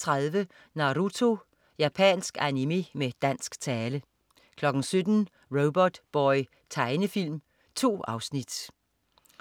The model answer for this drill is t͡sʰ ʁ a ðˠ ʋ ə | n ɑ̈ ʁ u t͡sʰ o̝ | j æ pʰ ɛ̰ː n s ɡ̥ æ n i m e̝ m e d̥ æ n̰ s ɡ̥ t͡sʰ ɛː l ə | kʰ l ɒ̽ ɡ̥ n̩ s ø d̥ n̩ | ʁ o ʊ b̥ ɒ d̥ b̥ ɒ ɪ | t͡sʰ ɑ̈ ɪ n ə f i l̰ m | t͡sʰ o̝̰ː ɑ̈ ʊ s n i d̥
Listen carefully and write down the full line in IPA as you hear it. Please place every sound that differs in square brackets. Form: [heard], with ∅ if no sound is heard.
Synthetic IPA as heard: t͡sʰ ʁ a ðˠ ʋ ə | n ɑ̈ ʁ u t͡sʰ o̝ | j æ pʰ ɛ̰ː n s ɡ̥ æ n i m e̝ m e d̥ æ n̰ s ɡ̥ t͡sʰ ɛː l ə | kʰ l ɒ̽ ɡ̥ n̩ s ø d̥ n̩ | ʁ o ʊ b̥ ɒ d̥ b̥ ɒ ɪ | t͡sʰ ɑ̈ ɪ n ə f i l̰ m | t͡sʰ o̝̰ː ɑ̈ ʊ s n i d̥